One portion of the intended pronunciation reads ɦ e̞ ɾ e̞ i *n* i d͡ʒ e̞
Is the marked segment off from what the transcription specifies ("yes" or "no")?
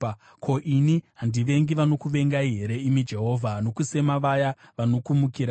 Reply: yes